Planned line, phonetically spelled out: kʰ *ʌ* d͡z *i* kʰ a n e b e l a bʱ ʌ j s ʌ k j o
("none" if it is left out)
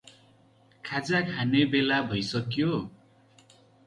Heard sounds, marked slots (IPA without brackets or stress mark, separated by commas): a, a